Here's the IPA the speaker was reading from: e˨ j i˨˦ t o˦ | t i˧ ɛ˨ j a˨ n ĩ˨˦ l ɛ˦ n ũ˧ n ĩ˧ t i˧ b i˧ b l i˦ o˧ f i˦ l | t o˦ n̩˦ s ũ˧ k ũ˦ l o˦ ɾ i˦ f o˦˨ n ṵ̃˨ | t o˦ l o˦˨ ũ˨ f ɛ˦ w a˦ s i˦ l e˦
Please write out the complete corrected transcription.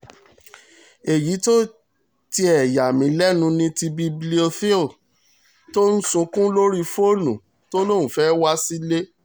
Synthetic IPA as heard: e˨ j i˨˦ t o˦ | t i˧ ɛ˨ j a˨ m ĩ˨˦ l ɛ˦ n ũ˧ n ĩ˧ t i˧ b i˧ b l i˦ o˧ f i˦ l | t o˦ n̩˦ s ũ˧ k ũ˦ l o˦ ɾ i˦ f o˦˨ n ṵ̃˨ | t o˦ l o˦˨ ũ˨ f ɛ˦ w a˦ s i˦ l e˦